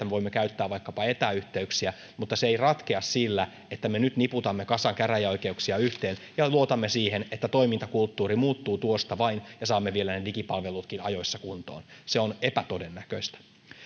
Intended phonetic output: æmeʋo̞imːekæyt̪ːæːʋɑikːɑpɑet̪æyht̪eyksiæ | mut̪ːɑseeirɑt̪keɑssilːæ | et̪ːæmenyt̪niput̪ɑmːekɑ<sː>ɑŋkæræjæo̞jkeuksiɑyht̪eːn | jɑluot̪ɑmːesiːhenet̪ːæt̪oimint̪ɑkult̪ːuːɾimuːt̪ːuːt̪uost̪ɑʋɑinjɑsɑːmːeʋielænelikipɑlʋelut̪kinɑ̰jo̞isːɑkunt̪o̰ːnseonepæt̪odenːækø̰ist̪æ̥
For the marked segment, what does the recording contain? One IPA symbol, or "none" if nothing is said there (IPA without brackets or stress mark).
s